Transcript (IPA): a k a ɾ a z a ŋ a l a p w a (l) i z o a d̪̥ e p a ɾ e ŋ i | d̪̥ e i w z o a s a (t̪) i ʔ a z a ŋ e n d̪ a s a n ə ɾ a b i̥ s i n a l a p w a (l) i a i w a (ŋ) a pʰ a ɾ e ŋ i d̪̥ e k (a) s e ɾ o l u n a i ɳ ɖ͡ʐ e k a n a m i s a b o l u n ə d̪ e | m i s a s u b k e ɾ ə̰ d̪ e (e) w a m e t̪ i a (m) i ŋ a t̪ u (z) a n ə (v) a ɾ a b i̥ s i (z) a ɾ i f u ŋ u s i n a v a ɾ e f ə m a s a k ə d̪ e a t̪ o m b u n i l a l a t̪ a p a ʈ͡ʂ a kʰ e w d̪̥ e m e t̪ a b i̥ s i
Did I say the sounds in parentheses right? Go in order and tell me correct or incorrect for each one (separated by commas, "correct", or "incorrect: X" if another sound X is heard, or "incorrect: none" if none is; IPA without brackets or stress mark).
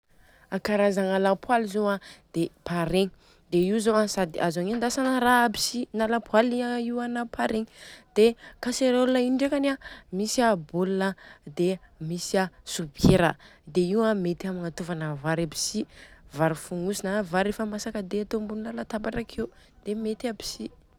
correct, incorrect: d̪, correct, incorrect: n, correct, incorrect: i, correct, incorrect: v, correct, incorrect: v